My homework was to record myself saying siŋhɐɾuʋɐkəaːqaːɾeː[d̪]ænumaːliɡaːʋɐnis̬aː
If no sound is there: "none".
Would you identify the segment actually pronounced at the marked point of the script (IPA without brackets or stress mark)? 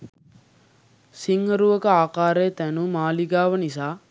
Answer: t̪